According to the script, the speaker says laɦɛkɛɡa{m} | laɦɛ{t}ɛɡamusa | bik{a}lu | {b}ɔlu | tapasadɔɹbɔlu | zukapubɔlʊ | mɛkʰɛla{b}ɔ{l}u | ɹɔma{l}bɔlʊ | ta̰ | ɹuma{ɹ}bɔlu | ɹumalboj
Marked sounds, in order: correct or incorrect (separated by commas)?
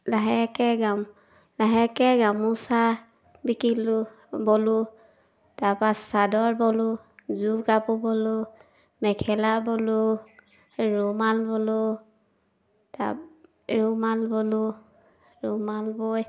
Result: correct, incorrect, incorrect, correct, correct, correct, correct, incorrect